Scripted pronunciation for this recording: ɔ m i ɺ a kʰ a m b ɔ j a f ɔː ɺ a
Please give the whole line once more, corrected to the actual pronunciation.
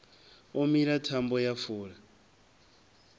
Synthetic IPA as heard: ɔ m i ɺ a tʰ a m b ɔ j a f uː ɺ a